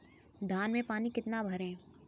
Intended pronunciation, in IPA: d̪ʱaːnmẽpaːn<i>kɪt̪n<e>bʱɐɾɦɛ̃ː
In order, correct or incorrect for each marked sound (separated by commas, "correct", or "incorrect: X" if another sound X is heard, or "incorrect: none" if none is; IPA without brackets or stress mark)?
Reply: correct, incorrect: a